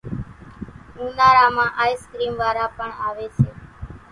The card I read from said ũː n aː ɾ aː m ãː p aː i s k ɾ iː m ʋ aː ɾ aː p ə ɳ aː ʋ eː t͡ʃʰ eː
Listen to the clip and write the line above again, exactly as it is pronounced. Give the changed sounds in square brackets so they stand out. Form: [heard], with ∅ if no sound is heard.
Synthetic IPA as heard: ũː n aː ɾ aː m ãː [ʔ] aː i s k ɾ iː m ʋ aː ɾ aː p ə ɳ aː ʋ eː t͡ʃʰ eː